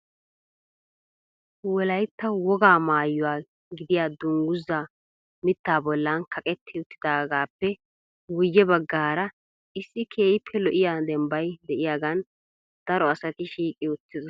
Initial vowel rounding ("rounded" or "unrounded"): rounded